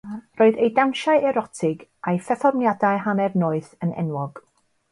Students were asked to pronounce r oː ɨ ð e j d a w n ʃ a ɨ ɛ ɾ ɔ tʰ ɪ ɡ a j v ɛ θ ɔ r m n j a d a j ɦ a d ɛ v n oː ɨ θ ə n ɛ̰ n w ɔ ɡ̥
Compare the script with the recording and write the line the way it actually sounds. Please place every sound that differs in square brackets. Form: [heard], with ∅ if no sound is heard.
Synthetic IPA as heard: r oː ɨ ð e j d a w n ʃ a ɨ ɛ ɾ ɔ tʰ ɪ ɡ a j [f] ɛ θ ɔ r m n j a d a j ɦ a [n] ɛ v n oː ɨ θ ə n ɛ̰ n w ɔ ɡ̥